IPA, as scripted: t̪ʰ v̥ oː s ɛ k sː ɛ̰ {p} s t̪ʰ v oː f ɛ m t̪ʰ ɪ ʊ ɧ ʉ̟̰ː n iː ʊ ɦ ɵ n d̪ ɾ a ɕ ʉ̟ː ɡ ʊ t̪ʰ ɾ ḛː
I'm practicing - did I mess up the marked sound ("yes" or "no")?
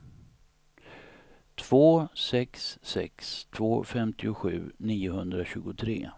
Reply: yes